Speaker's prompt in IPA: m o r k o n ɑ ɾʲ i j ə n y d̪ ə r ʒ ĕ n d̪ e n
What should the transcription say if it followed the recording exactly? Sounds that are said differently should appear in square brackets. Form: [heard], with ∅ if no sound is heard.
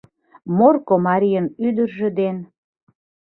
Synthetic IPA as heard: m o r k o [m] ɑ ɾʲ i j ə n y d̪ ə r ʒ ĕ [∅] d̪ e n